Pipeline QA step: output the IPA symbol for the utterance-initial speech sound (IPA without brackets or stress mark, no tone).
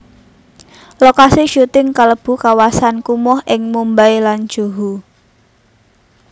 l